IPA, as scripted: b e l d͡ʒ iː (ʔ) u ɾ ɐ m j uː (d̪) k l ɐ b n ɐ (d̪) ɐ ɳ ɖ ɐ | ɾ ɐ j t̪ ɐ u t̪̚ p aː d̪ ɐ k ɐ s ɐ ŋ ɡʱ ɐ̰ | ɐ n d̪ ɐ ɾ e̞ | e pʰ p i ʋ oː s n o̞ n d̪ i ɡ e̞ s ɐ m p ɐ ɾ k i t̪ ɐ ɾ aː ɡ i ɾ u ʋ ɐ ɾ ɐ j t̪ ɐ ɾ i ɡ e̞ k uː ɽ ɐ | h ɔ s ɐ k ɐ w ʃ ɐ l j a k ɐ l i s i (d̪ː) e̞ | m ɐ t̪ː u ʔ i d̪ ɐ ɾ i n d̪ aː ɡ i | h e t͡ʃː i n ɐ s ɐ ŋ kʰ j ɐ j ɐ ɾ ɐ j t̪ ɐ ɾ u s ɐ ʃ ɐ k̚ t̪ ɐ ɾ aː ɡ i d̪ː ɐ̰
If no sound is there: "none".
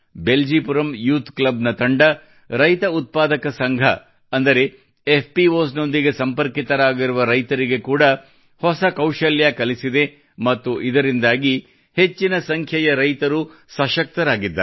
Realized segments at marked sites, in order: p, t̪, t̪, d̪

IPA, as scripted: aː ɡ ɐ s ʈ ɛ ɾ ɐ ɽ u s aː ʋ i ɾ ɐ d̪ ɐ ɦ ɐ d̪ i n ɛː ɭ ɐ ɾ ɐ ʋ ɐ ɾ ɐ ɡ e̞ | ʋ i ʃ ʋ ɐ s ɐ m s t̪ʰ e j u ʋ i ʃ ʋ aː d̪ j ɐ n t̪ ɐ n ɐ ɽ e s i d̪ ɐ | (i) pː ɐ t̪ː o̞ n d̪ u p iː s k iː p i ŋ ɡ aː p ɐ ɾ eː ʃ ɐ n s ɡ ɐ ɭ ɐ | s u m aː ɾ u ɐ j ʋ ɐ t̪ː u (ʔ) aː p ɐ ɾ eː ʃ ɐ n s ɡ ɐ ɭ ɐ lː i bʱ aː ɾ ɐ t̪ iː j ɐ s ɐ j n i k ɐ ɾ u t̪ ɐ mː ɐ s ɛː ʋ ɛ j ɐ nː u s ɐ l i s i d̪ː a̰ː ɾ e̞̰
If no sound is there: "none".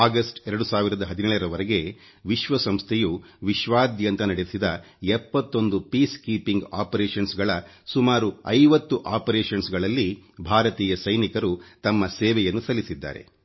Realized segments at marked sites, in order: ɛ, ʔ

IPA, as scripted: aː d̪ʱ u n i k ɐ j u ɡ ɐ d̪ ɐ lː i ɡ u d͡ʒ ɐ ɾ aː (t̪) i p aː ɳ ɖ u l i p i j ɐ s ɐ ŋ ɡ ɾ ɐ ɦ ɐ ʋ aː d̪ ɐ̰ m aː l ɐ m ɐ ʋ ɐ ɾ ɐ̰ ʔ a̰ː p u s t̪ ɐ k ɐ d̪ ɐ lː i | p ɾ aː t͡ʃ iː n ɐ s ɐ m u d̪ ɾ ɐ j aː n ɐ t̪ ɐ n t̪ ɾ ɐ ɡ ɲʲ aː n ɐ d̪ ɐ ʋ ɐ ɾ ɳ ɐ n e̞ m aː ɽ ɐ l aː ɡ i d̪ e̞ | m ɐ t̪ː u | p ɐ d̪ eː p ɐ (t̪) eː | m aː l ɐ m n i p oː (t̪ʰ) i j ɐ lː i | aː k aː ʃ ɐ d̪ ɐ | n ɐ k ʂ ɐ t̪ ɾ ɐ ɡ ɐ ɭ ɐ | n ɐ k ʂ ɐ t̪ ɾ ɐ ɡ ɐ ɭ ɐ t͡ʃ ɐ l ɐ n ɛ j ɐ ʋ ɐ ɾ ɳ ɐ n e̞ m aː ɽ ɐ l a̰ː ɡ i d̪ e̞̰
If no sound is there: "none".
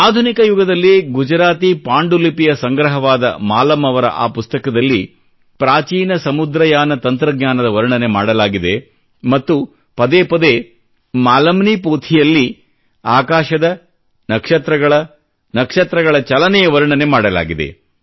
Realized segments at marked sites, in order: t̪, d̪, t̪ʰ

